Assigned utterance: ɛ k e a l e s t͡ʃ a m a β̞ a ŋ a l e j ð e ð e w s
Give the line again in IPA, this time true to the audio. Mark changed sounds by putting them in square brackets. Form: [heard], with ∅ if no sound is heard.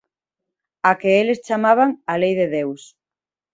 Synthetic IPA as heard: [a] k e [e] l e s t͡ʃ a m a β̞ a ŋ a l e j ð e ð e w s